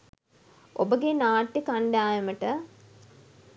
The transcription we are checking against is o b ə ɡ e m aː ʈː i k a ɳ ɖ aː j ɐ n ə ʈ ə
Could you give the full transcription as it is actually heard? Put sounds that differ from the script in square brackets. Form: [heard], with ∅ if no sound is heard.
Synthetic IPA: o b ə ɡ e [n] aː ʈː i k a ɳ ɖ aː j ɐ [m] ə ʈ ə